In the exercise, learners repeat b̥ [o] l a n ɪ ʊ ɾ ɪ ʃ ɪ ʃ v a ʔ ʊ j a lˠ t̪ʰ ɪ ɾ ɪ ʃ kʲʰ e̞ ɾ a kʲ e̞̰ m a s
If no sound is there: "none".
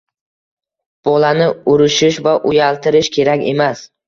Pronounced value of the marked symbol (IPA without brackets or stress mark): ɒ